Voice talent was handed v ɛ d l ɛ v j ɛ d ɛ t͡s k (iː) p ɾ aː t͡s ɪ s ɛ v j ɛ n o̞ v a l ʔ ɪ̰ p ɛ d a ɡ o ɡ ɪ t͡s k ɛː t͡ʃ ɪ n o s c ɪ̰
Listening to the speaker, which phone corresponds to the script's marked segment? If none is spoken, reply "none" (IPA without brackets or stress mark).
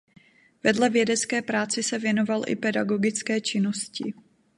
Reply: ɛː